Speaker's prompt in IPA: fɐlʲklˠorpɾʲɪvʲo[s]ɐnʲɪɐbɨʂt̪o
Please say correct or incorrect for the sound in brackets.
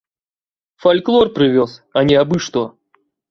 correct